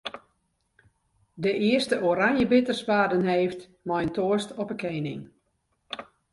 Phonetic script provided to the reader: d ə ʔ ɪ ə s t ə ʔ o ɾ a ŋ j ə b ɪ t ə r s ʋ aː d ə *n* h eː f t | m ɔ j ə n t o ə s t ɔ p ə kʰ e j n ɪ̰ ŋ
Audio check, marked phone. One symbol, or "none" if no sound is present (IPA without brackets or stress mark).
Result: n